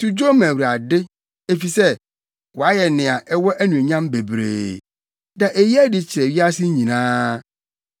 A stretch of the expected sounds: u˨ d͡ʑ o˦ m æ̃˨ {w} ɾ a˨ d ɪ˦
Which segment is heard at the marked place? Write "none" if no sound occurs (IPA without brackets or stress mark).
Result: w